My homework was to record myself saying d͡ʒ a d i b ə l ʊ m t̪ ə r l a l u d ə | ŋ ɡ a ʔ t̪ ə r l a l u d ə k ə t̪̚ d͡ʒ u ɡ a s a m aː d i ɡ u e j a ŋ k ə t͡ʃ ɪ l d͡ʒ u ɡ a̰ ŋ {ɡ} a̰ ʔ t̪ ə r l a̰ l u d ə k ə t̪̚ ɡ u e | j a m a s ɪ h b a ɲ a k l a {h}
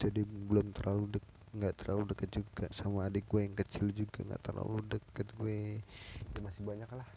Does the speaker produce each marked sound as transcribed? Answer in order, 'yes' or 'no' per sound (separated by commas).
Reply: yes, yes